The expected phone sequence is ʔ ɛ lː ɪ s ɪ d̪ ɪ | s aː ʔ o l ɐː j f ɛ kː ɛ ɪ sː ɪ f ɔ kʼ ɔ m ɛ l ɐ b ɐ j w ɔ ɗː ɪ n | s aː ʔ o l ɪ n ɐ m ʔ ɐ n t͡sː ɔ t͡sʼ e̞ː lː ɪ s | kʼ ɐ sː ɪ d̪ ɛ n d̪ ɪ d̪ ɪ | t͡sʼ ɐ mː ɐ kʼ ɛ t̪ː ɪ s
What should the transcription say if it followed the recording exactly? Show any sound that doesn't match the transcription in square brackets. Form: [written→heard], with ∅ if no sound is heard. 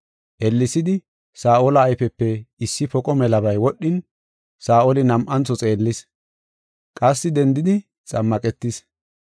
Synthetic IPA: ʔ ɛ lː ɪ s ɪ d̪ ɪ | s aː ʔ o l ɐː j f ɛ [kː→pː] ɛ ɪ sː ɪ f ɔ kʼ ɔ m ɛ l ɐ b ɐ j w ɔ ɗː ɪ n | s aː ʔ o l ɪ n ɐ m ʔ ɐ n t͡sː ɔ t͡sʼ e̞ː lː ɪ s | kʼ ɐ sː ɪ d̪ ɛ n d̪ ɪ d̪ ɪ | t͡sʼ ɐ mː ɐ kʼ ɛ t̪ː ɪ s